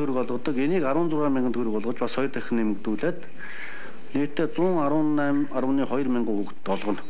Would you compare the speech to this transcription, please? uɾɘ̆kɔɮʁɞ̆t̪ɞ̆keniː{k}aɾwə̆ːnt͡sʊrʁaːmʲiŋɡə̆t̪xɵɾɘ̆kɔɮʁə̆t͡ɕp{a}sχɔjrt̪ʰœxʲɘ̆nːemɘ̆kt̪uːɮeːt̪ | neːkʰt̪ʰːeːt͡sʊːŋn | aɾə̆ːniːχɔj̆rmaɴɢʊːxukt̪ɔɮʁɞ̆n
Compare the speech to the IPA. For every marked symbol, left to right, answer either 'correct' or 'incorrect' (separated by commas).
correct, correct